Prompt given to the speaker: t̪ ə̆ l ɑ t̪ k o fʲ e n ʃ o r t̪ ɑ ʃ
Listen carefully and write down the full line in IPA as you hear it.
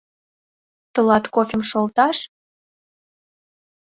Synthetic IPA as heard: t̪ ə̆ l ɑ t̪ k o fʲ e m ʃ o l t̪ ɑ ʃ